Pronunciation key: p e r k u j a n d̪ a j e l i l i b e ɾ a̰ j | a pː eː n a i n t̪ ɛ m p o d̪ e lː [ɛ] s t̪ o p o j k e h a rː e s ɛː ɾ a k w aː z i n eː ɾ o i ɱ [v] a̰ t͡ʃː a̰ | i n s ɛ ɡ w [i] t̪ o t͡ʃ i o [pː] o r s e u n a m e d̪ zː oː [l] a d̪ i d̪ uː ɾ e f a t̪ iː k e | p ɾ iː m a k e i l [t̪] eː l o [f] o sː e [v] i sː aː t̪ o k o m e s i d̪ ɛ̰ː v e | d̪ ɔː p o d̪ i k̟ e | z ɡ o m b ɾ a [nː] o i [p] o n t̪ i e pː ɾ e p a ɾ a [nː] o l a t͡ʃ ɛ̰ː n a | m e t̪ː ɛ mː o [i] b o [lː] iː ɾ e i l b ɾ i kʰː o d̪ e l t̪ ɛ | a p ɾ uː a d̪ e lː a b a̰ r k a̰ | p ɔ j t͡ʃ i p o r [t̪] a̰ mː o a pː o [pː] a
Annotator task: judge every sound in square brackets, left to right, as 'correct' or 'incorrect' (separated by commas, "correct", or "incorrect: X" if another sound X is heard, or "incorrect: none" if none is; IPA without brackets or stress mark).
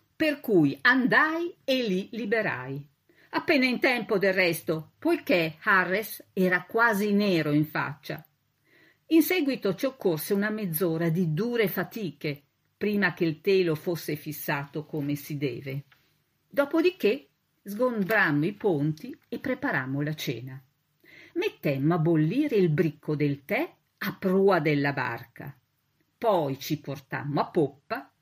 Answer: correct, incorrect: f, correct, incorrect: kː, incorrect: ɾ, correct, correct, incorrect: f, incorrect: mː, correct, incorrect: mː, incorrect: a, correct, correct, correct